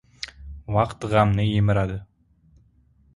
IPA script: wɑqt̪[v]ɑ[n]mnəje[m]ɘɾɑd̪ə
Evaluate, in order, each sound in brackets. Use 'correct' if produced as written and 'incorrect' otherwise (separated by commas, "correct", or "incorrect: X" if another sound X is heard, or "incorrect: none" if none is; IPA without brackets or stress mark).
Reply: incorrect: ʁ, incorrect: none, correct